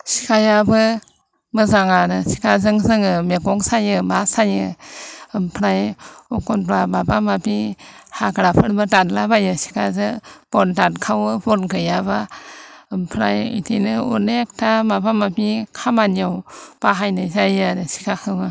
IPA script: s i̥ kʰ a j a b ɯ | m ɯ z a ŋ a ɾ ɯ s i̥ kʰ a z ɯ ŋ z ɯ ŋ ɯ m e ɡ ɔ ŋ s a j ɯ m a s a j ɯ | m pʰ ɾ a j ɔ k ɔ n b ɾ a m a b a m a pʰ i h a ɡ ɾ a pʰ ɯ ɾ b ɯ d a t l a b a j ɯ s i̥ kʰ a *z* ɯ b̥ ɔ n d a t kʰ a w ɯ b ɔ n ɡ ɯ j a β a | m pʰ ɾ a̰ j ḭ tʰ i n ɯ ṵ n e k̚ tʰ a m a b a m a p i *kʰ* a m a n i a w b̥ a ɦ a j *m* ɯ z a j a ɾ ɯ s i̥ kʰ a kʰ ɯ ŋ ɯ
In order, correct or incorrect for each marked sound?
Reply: correct, correct, incorrect

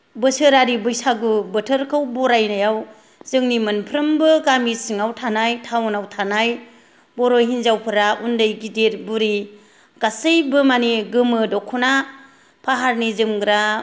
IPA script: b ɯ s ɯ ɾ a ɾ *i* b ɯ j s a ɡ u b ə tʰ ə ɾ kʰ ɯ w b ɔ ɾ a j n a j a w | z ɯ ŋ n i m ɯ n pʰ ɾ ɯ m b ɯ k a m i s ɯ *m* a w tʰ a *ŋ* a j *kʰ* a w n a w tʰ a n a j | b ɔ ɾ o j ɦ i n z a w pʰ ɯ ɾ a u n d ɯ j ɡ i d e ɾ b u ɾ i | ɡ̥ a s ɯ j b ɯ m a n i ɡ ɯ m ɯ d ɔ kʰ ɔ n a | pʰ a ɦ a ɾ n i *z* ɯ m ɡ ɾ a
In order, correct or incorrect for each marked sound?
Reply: correct, incorrect, incorrect, incorrect, correct

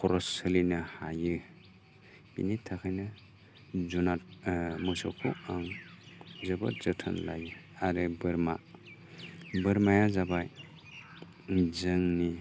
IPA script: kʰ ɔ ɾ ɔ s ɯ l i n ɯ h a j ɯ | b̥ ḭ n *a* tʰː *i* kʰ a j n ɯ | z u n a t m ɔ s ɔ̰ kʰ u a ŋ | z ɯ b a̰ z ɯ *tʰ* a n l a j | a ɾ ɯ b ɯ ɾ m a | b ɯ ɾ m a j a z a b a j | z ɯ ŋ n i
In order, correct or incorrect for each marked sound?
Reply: incorrect, incorrect, correct

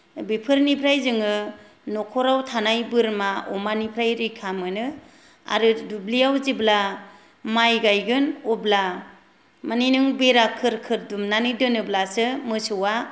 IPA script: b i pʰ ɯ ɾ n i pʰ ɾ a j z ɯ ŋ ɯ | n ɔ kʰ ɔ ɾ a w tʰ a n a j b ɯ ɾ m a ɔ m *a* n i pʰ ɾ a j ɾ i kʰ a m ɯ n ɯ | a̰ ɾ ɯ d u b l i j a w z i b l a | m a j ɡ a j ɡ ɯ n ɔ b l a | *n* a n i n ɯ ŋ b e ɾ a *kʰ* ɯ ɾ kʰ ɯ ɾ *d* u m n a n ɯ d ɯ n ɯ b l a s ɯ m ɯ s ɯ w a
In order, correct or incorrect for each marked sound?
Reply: correct, incorrect, correct, correct

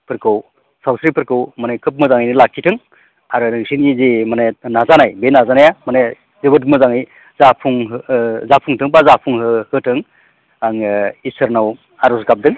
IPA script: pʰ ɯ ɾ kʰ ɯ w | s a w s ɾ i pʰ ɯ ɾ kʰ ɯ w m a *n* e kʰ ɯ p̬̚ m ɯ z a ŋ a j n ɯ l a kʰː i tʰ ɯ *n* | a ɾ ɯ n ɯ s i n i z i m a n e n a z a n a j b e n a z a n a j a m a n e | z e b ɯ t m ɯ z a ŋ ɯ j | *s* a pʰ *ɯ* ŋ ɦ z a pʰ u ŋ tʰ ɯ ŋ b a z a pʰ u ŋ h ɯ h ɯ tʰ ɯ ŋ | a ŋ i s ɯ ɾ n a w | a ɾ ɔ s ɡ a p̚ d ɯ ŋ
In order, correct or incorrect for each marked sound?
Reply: correct, incorrect, incorrect, incorrect

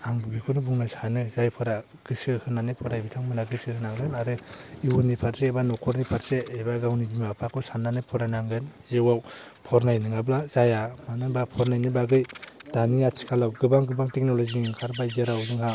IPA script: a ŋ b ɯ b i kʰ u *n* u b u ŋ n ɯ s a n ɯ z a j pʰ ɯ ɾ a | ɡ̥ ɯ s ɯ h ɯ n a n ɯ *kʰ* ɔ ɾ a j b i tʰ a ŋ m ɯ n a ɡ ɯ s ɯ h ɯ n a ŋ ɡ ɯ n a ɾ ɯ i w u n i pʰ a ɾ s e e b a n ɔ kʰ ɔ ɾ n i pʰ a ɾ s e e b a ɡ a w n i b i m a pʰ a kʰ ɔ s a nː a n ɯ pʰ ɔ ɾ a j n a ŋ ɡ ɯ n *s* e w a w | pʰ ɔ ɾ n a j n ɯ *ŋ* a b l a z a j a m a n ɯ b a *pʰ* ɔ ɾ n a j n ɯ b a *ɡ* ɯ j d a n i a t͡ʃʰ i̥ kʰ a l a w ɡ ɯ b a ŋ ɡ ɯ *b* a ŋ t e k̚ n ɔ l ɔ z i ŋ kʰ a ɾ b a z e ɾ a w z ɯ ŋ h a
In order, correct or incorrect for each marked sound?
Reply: correct, incorrect, incorrect, correct, correct, correct, correct

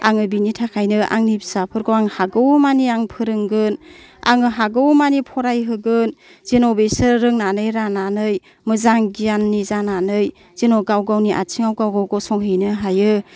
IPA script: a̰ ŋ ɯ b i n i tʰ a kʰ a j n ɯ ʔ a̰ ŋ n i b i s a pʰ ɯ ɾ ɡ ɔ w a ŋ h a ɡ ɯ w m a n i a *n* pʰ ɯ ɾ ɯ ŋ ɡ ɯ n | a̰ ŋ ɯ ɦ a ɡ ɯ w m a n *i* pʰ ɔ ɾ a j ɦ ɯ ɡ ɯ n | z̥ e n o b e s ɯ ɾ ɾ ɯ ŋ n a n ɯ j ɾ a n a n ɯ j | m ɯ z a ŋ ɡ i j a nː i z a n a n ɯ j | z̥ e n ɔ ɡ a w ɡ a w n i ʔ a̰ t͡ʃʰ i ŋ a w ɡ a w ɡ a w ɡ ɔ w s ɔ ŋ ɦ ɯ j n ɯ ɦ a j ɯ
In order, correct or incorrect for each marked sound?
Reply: incorrect, correct

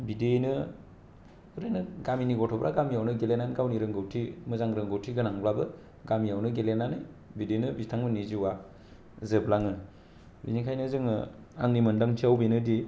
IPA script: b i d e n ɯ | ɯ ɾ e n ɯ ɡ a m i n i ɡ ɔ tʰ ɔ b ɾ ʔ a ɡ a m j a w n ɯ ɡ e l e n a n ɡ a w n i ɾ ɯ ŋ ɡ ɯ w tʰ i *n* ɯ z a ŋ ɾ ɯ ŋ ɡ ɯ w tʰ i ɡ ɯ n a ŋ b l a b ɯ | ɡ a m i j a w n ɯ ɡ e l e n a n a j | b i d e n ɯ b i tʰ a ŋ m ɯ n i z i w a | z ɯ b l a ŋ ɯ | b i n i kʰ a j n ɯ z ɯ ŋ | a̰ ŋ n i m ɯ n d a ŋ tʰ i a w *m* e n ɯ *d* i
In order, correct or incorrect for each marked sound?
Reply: incorrect, incorrect, correct

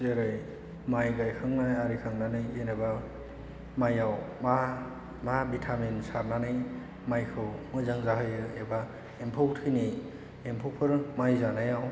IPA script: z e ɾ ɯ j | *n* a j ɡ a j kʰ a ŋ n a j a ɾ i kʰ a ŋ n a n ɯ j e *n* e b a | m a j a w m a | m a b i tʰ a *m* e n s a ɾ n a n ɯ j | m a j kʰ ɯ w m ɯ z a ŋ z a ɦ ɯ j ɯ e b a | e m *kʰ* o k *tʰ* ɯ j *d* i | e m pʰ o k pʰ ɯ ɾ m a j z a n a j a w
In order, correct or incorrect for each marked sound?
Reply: incorrect, correct, correct, incorrect, correct, incorrect

